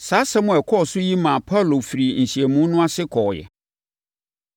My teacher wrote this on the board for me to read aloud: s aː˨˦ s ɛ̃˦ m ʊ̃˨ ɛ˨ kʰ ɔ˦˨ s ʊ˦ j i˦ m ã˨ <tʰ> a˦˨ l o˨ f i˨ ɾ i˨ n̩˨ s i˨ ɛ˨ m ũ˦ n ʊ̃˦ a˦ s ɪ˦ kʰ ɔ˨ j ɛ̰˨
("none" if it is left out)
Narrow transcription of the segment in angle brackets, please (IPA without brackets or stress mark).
pʰ